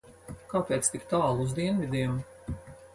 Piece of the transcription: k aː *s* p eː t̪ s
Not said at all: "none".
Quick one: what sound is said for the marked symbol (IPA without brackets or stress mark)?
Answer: none